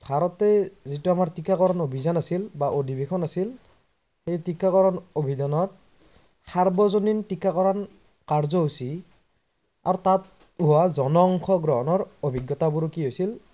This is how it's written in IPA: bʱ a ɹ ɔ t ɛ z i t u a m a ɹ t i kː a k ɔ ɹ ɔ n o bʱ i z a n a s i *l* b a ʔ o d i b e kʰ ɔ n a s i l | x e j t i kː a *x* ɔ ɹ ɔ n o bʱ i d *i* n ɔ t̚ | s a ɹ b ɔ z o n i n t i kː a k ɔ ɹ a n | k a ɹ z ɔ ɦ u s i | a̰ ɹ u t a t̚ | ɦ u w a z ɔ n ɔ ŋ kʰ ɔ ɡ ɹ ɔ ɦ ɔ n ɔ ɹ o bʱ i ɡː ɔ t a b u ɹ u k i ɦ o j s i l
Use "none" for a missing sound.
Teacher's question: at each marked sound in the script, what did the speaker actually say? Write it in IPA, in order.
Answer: l, k, a

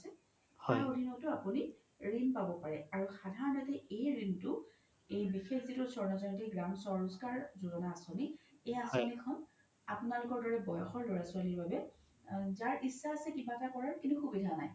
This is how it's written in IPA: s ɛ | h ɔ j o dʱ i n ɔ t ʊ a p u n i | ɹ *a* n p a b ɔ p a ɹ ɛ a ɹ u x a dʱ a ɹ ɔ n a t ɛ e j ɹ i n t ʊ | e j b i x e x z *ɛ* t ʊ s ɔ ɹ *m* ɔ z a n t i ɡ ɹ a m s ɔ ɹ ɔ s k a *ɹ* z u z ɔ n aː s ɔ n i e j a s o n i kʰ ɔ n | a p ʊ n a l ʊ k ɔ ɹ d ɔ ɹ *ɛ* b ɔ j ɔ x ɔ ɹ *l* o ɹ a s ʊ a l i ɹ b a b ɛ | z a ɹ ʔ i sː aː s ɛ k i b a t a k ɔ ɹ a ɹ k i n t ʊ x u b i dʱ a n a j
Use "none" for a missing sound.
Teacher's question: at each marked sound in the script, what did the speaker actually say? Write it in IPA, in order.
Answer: i, i, n, ɹ, ɛ, l

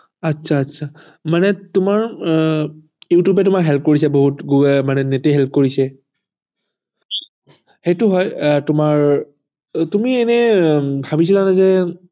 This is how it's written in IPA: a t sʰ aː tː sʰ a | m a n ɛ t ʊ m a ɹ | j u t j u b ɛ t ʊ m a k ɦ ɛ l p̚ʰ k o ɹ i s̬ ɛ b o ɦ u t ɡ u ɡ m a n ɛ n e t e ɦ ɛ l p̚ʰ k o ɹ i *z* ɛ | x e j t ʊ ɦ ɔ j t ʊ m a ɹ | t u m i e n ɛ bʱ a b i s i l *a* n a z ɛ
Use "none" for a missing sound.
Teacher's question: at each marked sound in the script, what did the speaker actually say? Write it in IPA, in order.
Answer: s, a

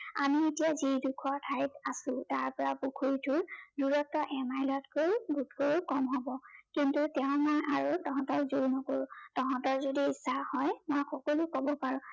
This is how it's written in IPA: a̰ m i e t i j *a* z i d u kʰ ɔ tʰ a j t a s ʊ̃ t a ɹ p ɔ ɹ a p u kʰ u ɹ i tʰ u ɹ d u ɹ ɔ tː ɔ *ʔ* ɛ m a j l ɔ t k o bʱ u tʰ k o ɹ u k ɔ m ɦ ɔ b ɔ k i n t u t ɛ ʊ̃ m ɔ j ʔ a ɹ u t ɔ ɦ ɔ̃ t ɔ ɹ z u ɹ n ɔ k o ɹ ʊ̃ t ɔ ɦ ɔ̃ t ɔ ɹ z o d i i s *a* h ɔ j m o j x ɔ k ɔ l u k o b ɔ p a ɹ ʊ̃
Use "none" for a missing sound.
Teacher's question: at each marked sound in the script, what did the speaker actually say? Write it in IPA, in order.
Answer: a, ʔ, a

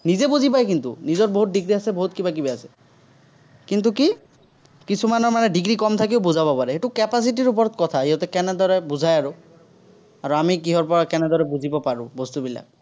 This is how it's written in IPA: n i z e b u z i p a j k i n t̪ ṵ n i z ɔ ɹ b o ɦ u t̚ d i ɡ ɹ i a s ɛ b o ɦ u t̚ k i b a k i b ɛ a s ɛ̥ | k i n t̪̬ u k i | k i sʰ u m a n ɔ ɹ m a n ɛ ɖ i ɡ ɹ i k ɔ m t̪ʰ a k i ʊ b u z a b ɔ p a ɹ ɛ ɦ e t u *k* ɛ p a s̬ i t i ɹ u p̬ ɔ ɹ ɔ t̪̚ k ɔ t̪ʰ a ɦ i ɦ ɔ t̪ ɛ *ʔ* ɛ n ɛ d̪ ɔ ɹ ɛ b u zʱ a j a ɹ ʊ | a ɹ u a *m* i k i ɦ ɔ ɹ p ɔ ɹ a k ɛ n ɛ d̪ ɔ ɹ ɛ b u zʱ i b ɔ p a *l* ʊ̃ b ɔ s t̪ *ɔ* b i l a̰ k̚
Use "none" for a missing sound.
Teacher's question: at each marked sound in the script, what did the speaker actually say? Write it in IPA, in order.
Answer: k, k, m, ɹ, u

